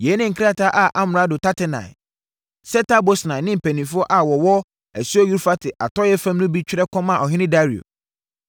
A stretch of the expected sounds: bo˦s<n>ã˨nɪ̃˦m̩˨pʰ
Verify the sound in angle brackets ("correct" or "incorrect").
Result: correct